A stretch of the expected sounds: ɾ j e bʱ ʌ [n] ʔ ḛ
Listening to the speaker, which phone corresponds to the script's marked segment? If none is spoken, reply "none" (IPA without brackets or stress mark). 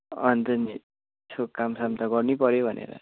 n